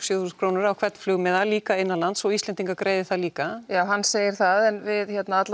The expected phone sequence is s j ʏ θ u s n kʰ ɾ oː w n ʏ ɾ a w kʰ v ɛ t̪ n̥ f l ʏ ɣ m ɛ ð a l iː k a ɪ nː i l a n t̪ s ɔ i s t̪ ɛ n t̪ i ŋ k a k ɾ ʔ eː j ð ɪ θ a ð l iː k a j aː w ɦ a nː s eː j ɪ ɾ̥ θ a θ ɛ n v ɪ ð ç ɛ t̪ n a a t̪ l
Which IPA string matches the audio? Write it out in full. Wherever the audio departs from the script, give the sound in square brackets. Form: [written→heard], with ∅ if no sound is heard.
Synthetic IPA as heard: s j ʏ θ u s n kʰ ɾ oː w n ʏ ɾ a w kʰ v ɛ t̪ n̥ f l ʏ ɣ m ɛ ð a l iː k a ɪ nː [i→a] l a n t̪ s ɔ i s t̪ ɛ n t̪ i ŋ k a k ɾ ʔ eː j ð ɪ θ a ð l iː k a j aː w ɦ a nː s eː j ɪ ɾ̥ θ a [θ→ð] ɛ n v ɪ ð ç ɛ t̪ n a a t̪ l